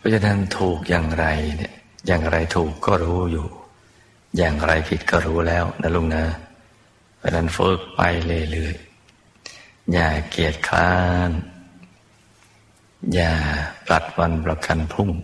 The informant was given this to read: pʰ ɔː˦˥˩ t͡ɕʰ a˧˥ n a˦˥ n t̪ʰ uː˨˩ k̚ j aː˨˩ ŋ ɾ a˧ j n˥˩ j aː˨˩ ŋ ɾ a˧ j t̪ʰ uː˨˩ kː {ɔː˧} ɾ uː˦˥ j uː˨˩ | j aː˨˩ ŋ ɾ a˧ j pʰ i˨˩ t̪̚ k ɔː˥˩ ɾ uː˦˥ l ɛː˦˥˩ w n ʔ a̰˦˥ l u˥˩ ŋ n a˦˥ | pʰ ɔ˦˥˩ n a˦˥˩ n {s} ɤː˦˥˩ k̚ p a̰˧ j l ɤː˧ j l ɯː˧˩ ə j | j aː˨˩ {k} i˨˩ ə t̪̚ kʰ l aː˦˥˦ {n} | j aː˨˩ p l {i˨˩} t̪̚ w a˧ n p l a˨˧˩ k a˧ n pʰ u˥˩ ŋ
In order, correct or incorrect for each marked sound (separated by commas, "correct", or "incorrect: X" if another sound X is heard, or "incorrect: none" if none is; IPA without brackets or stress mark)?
incorrect: ɔː˥˩, incorrect: f, correct, correct, incorrect: a˨˩